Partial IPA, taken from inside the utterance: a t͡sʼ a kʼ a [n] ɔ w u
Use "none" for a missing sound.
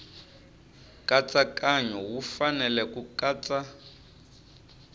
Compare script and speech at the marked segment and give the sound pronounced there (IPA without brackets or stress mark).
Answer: ɲ